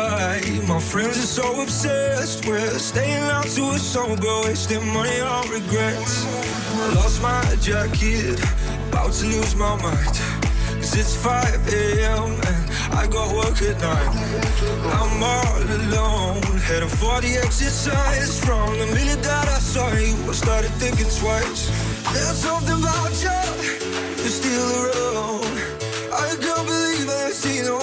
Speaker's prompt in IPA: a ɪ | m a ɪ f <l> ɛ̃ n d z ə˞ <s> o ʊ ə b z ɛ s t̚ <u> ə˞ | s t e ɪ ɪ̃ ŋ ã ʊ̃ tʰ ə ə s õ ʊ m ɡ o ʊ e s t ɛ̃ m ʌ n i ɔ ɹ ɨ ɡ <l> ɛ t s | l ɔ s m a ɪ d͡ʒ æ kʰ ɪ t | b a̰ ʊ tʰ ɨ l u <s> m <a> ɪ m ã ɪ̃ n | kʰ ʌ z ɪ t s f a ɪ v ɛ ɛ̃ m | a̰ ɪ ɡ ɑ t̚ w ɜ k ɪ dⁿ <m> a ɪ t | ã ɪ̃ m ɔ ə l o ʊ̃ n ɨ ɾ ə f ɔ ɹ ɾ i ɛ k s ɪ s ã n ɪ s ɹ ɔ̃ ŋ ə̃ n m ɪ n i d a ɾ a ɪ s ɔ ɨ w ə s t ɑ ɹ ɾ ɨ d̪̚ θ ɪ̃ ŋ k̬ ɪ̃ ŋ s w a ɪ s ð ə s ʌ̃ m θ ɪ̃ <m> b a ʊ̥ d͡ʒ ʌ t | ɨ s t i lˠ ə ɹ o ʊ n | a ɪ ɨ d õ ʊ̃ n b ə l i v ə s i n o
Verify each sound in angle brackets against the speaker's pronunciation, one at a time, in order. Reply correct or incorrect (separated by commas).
incorrect, correct, incorrect, incorrect, incorrect, correct, incorrect, incorrect